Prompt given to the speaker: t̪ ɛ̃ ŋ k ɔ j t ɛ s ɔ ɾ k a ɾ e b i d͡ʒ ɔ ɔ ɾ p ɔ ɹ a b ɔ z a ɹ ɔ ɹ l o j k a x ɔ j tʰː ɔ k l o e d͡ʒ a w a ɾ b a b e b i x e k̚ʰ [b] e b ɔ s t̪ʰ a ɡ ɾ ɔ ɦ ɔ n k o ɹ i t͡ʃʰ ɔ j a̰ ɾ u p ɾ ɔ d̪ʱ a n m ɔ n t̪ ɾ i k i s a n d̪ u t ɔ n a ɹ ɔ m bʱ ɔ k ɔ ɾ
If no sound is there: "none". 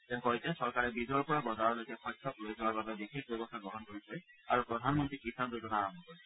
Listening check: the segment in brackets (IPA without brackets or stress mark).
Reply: b